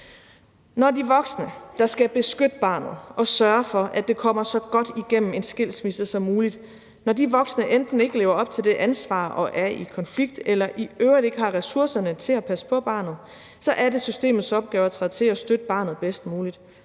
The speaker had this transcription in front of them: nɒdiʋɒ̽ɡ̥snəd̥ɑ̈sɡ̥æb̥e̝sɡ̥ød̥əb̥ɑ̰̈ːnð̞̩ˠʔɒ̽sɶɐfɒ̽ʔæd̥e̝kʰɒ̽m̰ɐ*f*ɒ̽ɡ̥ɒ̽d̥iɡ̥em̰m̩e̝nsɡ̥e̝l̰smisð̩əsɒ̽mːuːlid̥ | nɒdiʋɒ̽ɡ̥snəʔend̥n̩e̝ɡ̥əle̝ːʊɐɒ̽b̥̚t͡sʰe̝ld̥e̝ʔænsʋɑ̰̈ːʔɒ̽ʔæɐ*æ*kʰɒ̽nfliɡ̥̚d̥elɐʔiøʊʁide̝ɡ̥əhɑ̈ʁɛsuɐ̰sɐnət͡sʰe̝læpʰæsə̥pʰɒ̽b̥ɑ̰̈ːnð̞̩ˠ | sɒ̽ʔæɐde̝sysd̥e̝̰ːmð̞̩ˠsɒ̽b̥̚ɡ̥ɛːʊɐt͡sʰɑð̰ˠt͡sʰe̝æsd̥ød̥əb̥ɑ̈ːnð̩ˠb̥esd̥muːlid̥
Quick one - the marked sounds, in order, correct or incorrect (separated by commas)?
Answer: incorrect, incorrect